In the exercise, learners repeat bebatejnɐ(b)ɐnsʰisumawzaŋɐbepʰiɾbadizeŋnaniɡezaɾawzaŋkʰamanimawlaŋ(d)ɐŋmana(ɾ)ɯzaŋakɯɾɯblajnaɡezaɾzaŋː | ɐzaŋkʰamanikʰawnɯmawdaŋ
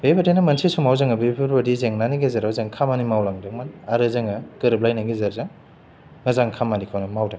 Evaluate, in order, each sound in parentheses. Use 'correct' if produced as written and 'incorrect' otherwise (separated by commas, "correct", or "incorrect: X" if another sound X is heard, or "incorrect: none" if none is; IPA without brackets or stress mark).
incorrect: m, correct, correct